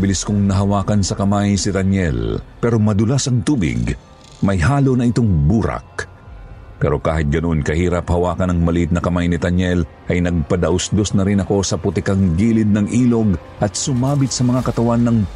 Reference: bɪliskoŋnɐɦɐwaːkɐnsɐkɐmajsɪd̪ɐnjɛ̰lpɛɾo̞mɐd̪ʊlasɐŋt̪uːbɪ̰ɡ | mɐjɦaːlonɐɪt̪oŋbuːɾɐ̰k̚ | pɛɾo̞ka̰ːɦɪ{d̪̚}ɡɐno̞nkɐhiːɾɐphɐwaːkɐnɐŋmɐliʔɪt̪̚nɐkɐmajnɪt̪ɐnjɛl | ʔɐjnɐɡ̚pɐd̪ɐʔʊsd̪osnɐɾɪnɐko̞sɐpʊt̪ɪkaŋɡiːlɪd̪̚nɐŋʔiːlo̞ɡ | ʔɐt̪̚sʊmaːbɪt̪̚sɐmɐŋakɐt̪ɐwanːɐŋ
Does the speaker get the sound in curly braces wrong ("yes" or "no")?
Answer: yes